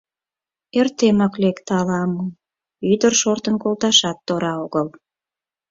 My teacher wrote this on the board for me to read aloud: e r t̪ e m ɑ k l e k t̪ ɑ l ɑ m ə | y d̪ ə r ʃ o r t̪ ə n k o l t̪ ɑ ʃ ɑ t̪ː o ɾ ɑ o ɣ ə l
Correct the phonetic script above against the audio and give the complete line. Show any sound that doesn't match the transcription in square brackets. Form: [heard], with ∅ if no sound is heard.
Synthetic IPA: e r t̪ e m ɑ k l e k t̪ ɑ l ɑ m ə | y d̪ ə r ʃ o r t̪ ə n k o l t̪ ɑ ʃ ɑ t̪ː o ɾ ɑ o ɣ ə l